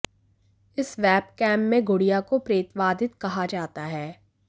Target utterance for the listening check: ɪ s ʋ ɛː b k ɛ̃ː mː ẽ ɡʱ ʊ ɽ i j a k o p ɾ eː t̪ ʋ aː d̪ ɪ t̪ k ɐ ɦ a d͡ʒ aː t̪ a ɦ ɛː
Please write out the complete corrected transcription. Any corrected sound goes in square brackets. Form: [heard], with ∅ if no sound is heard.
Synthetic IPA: ɪ s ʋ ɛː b k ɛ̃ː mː ẽ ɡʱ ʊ ɽ i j a k o p ɾ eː t̪ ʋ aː d̪ ɪ t̪ k ɐ ɦ a d͡ʒ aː t̪ a ɦ ɛː